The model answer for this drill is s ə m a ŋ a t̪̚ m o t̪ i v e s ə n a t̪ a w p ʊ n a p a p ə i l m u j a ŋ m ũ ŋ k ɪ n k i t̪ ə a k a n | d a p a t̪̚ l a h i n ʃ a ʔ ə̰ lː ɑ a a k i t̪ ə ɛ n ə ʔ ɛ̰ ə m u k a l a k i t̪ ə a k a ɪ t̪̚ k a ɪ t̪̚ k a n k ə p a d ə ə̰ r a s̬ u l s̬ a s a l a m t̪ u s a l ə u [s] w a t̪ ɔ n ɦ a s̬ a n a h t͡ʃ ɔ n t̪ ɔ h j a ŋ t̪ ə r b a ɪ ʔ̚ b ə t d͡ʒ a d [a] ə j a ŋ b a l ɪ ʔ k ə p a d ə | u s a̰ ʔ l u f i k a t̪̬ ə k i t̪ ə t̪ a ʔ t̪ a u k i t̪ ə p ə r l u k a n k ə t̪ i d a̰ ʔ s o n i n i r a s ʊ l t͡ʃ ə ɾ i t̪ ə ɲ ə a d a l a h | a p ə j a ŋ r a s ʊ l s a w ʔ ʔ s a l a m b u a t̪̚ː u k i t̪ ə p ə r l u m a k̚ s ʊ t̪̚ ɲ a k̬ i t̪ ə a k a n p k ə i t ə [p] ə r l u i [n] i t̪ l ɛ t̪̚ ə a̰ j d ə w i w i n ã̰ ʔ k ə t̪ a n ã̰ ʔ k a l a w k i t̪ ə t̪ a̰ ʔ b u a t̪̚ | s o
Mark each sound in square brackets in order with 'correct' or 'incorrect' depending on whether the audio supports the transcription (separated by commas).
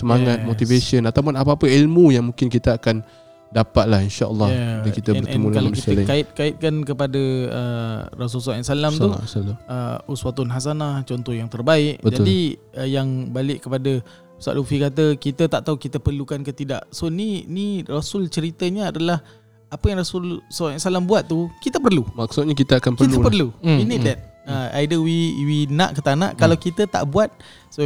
correct, incorrect, correct, correct